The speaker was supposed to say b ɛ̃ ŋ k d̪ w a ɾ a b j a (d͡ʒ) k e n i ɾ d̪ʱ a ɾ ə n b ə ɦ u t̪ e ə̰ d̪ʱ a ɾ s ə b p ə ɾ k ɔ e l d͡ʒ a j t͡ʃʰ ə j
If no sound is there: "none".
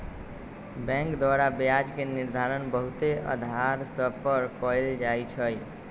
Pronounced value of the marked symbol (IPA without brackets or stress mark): d͡ʒ